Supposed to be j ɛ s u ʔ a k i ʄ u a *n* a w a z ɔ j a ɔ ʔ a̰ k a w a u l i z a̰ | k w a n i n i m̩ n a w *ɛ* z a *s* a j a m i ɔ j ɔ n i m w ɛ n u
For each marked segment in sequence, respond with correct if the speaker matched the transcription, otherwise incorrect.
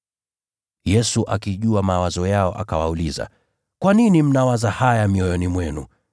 incorrect: m, incorrect: a, incorrect: h

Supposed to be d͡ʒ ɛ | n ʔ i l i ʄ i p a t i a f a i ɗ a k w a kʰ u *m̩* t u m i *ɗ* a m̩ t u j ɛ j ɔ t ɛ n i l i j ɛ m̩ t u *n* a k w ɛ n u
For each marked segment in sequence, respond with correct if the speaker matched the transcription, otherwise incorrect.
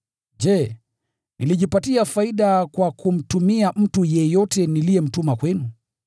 correct, incorrect: none, incorrect: m

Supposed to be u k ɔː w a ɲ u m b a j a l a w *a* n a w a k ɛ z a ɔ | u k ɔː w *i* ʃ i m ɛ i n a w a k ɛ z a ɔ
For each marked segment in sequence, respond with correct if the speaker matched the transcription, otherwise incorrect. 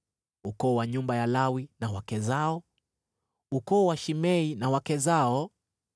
incorrect: i, incorrect: a

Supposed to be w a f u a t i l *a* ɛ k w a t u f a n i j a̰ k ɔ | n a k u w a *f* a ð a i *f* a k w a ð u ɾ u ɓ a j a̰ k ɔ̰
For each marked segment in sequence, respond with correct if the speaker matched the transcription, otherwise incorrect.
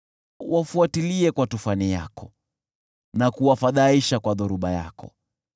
incorrect: i, correct, incorrect: ʃ

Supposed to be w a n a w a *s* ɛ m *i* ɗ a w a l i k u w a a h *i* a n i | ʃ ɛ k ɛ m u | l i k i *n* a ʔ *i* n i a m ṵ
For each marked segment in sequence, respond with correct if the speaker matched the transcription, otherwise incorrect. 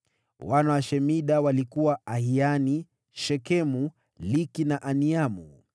incorrect: ʃ, correct, correct, correct, incorrect: a

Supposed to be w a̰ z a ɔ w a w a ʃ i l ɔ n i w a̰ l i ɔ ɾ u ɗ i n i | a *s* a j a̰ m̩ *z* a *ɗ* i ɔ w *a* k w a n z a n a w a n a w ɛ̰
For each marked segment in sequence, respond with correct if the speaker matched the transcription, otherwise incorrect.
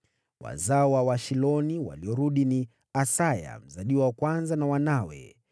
correct, correct, correct, correct

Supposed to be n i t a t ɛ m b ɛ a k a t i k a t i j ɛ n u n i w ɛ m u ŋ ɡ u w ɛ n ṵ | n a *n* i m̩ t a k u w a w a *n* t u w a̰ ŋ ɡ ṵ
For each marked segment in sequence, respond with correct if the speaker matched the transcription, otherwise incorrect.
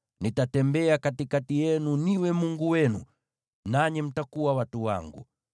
incorrect: ɲ, incorrect: none

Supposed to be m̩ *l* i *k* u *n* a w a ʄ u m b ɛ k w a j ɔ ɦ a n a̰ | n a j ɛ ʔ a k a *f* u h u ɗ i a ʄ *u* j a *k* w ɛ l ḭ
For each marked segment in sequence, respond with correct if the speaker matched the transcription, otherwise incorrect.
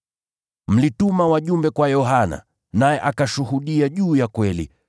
correct, incorrect: t, incorrect: m, incorrect: ʃ, incorrect: uː, correct

